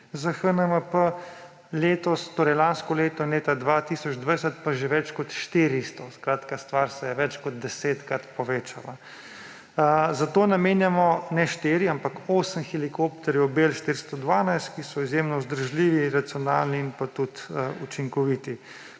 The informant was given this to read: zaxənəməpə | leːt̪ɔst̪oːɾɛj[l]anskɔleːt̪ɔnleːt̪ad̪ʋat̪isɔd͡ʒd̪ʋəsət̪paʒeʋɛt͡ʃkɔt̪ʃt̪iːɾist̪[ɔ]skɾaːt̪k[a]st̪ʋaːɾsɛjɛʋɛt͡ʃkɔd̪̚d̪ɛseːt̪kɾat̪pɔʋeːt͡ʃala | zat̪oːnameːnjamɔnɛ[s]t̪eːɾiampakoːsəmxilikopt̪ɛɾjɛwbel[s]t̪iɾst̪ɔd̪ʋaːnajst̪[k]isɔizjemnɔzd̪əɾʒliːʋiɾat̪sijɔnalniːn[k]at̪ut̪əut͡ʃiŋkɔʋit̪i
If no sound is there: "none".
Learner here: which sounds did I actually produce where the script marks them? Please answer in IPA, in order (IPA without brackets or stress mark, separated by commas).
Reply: l, ɔ, a, ʃ, ʃ, k, p